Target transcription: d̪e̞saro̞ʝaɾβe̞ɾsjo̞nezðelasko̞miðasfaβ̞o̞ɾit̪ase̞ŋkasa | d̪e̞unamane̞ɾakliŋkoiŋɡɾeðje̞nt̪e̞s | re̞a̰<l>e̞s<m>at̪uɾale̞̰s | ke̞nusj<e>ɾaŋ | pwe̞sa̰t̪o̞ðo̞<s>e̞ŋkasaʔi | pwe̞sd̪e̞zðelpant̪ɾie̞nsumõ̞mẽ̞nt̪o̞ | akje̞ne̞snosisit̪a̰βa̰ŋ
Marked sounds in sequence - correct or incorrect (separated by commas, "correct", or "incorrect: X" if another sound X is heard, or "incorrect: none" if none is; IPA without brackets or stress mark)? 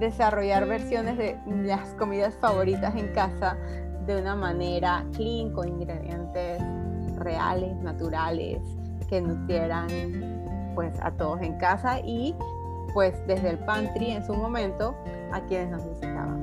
correct, incorrect: n, correct, correct